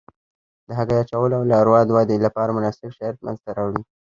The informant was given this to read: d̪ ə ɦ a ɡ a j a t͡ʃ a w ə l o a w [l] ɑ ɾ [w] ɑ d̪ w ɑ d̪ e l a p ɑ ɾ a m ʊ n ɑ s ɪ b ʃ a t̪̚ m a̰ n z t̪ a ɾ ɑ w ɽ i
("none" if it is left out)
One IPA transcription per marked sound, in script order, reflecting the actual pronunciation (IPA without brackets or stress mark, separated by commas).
l, w